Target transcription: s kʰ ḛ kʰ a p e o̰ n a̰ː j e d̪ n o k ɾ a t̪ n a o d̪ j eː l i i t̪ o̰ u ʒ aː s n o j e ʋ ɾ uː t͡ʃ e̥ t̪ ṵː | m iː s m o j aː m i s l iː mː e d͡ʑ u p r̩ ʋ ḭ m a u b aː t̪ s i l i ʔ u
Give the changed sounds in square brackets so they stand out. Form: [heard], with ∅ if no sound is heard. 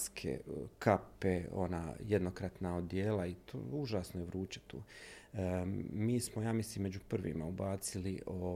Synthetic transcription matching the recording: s kʰ ḛ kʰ a p e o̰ n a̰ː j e d̪ n o k ɾ a t̪ n a o d̪ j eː l [a] i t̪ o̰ u ʒ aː s n o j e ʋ ɾ uː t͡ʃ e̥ t̪ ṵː | m iː s m o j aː m i s l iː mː e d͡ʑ u p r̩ ʋ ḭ m a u b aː t̪ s i l i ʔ [o]